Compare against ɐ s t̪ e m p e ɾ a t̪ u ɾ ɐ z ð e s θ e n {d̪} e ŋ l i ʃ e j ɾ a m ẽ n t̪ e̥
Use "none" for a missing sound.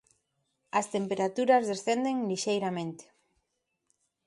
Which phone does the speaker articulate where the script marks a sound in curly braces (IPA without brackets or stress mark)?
d̪